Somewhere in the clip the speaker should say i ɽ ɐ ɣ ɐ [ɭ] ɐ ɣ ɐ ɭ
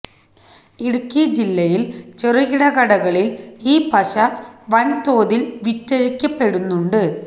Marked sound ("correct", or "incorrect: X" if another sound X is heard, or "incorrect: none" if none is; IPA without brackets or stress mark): incorrect: ɽ